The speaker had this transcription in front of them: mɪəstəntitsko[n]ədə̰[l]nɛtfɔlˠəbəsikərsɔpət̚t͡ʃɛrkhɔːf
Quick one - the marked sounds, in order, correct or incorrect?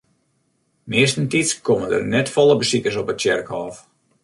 incorrect, incorrect

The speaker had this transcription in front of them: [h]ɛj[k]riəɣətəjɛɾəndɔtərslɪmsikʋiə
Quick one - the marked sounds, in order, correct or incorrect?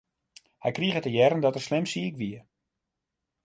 correct, correct

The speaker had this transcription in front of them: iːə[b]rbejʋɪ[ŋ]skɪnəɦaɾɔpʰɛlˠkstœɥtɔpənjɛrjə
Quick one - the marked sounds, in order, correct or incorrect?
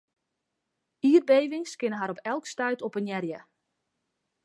incorrect, correct

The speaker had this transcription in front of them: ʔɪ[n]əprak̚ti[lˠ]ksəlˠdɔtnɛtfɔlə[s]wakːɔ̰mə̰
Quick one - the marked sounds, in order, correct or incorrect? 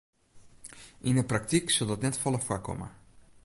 correct, incorrect, incorrect

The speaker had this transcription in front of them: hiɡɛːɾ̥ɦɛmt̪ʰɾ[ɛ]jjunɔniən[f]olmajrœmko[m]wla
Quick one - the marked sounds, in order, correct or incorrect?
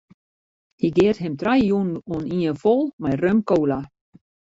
incorrect, correct, incorrect

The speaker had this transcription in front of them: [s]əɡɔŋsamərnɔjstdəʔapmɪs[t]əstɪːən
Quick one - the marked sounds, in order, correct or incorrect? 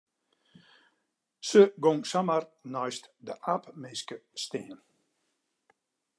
correct, incorrect

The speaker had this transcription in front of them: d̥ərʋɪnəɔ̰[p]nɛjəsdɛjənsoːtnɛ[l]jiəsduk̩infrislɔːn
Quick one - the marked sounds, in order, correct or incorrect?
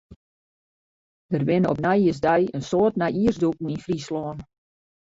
correct, incorrect

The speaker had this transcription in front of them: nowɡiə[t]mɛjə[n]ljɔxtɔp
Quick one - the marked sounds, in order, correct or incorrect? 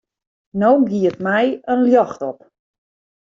correct, correct

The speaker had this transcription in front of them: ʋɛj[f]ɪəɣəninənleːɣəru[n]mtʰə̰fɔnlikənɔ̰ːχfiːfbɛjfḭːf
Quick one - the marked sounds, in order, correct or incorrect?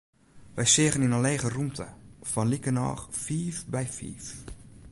incorrect, incorrect

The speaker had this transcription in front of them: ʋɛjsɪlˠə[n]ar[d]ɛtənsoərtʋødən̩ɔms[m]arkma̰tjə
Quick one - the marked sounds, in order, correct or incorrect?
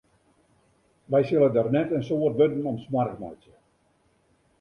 incorrect, incorrect, correct

